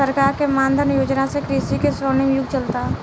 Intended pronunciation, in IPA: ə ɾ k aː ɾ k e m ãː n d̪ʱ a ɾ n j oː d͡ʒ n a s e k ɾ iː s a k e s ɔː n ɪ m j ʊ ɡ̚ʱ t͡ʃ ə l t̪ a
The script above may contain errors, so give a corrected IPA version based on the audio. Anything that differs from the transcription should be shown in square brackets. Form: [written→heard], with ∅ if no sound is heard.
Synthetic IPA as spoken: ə ɾ k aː ɾ k e m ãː n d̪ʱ [a→ə] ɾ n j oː d͡ʒ n a s e k ɾ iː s [a→i] k e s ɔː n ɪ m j ʊ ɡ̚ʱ t͡ʃ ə l t̪ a